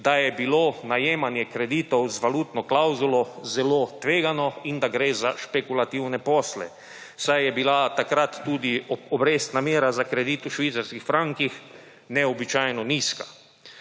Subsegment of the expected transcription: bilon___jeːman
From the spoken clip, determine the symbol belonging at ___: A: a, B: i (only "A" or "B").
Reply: A